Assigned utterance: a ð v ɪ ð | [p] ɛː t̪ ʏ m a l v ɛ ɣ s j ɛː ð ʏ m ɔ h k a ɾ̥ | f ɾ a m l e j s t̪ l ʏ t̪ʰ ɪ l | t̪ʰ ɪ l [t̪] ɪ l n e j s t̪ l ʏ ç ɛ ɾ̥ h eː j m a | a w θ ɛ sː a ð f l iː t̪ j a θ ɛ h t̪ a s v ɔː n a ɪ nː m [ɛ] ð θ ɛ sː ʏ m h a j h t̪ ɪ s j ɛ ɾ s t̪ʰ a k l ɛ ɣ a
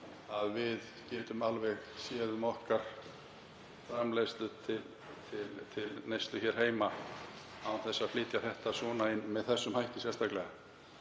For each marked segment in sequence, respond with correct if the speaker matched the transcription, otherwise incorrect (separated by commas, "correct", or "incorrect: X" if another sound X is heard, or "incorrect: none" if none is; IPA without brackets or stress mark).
incorrect: c, incorrect: t̪ʰ, correct